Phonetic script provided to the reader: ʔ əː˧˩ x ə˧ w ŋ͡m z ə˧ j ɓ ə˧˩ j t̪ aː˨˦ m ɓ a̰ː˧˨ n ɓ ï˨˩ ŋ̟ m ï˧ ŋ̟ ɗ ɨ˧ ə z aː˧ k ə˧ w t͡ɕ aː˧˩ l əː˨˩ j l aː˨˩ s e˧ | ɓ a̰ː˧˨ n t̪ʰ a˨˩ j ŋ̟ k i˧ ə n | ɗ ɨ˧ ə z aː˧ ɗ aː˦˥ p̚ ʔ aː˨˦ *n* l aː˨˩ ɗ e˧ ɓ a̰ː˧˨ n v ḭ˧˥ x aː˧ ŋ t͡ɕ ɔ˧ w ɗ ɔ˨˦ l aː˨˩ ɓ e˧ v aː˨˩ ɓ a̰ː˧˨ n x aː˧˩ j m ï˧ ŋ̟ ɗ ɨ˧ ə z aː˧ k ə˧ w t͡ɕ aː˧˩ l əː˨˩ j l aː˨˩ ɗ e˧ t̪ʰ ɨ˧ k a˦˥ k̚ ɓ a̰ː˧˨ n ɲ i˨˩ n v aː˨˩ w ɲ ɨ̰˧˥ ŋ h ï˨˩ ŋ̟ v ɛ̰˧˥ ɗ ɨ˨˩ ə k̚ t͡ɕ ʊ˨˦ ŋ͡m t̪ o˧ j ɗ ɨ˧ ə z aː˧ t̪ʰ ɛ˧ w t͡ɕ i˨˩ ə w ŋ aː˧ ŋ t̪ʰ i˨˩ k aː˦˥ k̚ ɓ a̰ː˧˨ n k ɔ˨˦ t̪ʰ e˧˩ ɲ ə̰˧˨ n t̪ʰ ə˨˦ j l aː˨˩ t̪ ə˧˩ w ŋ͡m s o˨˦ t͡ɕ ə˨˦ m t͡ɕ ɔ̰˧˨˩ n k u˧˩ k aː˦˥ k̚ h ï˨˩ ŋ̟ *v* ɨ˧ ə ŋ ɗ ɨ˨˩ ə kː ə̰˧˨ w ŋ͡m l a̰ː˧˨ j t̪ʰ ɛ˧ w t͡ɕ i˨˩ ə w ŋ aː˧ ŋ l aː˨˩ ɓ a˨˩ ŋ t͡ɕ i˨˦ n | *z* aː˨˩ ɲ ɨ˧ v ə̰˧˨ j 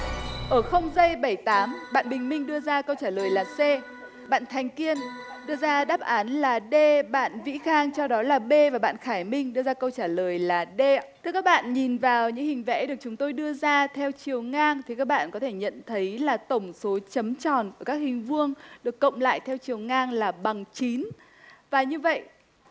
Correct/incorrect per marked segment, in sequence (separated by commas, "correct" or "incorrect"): correct, correct, incorrect